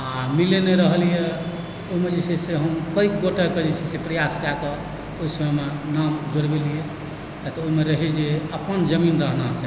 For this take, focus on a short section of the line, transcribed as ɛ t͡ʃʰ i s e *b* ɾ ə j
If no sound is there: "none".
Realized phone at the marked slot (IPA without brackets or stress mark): p